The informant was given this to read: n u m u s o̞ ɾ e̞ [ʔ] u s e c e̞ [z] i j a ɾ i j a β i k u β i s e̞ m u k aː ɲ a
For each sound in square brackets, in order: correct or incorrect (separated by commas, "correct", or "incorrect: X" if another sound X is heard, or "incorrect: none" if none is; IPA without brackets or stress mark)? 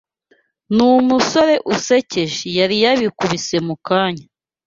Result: correct, incorrect: ʒ